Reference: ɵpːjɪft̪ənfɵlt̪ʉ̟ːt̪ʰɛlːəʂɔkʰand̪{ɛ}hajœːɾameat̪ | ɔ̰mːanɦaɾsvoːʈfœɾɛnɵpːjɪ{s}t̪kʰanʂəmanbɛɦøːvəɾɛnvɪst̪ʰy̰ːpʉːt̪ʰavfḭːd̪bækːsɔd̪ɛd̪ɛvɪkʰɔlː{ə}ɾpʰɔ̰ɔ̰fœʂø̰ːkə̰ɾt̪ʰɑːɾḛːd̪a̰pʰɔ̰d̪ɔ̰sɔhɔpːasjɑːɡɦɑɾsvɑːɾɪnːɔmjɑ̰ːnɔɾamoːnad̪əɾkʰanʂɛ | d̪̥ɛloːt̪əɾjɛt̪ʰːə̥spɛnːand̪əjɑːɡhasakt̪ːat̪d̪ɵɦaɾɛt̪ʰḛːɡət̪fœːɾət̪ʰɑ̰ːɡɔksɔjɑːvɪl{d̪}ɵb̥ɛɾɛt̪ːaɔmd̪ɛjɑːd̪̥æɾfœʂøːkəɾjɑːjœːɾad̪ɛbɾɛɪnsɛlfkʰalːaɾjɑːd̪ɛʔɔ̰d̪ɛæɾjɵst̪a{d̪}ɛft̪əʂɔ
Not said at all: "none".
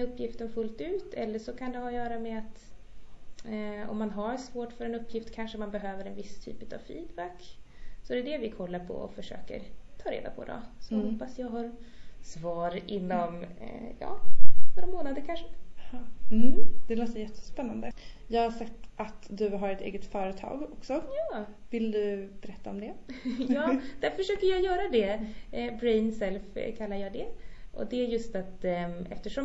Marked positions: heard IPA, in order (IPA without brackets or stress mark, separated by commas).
ɛ, f, a, d̪, t̪